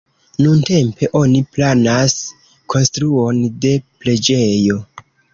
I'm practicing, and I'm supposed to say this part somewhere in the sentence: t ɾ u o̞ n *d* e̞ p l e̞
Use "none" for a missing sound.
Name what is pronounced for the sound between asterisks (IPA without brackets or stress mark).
d